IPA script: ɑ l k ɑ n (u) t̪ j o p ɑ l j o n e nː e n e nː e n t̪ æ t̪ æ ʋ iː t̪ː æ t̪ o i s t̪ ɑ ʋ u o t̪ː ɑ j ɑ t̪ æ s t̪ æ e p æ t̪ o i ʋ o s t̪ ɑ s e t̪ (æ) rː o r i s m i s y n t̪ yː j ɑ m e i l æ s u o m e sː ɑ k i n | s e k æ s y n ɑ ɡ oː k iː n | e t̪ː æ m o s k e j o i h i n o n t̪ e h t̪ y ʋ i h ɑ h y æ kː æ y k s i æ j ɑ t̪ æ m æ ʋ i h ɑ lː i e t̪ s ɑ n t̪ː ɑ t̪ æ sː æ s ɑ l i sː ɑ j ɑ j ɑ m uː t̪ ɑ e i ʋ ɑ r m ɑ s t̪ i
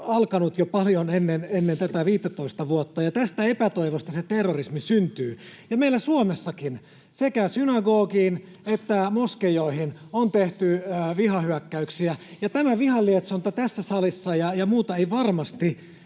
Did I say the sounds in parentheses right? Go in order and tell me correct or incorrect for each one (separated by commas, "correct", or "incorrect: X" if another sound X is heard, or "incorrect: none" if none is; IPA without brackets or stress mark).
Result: correct, incorrect: e